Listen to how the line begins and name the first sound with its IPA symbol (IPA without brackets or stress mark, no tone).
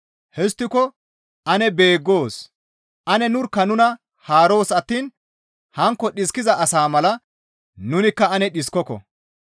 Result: h